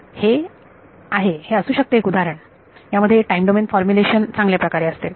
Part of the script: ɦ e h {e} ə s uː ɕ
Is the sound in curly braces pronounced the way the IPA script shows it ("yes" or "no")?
yes